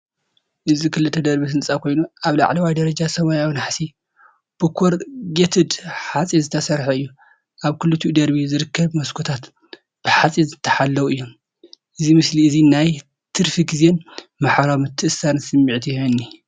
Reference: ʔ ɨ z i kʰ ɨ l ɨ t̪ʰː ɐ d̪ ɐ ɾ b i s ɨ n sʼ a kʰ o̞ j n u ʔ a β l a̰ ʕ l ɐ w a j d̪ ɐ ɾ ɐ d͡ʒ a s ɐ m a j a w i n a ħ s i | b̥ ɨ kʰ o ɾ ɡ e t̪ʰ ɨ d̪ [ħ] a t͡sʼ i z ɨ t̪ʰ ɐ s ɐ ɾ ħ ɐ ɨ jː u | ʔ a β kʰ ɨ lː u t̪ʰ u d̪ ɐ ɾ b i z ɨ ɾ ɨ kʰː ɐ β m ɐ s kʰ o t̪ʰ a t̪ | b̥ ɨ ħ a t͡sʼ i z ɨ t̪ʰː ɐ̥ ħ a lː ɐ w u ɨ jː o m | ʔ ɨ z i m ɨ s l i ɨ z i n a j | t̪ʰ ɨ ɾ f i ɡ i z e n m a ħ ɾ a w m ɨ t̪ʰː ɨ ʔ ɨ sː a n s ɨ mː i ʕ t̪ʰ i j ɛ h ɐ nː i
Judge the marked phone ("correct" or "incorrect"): correct